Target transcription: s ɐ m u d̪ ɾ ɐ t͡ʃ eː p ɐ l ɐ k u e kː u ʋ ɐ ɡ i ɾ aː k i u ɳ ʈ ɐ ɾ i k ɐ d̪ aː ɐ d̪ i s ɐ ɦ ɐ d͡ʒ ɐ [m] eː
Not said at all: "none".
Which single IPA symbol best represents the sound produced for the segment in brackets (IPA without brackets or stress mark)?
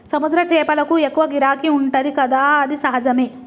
m